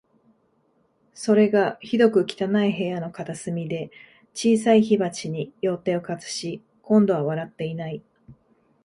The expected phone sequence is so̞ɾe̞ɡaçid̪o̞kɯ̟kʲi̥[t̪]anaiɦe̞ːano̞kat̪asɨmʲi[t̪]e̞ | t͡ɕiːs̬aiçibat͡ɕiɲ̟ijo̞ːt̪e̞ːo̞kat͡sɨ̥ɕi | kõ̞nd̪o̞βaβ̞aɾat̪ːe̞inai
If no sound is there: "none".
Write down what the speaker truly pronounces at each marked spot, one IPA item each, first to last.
t̪, d̪

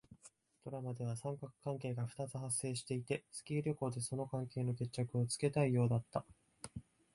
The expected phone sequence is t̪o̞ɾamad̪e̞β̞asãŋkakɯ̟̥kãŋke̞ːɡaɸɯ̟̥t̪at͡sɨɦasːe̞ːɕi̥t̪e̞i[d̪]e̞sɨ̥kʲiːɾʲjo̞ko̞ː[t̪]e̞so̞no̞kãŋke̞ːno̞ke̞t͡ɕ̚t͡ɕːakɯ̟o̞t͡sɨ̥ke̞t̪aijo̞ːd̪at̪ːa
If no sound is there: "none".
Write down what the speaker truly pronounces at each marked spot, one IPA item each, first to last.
t̪, d̪

